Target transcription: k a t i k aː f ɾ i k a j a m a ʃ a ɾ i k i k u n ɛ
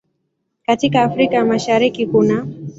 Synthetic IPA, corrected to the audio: k a t i k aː f ɾ i k a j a m a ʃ a ɾ i k i k u n a